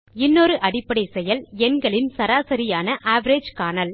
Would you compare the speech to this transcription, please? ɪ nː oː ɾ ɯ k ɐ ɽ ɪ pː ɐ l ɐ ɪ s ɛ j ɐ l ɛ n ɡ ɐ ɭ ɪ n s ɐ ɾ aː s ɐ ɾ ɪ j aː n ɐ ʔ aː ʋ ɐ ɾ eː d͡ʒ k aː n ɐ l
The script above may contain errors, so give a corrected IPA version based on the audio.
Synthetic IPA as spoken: ɪ nː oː ɾ ɯ ʔ ɐ ɽ ɪ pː ɐ ɽ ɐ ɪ s ɛ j ɐ l ɛ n ɡ ɐ ɭ ɪ n s ɐ ɾ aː s ɐ ɾ ɪ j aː n ɐ ʔ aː ʋ ɐ ɾ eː d͡ʒ k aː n ɐ l